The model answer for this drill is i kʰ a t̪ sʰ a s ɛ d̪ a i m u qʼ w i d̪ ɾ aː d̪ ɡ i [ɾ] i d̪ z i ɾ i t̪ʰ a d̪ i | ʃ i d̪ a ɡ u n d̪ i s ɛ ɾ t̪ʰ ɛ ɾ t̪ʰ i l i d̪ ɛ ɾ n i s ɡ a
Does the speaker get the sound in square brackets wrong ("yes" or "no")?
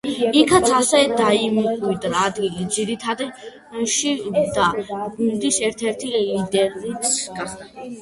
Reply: yes